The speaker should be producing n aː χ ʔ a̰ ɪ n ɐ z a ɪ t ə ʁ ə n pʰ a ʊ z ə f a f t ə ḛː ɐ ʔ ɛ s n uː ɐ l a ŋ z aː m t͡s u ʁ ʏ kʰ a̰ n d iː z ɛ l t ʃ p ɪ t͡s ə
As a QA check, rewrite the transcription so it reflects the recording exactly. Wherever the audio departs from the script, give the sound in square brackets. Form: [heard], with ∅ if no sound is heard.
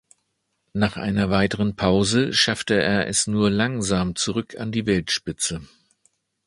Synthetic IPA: n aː χ ʔ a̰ ɪ n ɐ [v] a ɪ t ə ʁ ə n pʰ a ʊ z ə [ʃ] a f t ə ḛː ɐ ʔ ɛ s n uː ɐ l a ŋ z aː m t͡s u ʁ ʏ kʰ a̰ n d iː [v] ɛ l t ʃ p ɪ t͡s ə